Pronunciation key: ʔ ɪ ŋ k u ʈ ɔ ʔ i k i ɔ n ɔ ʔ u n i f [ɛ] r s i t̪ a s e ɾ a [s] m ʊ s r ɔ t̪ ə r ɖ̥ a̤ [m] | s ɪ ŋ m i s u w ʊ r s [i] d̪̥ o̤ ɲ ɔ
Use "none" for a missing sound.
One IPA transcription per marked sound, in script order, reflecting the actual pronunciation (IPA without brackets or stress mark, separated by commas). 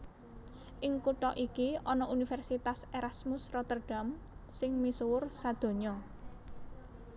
ɛ, s, m, a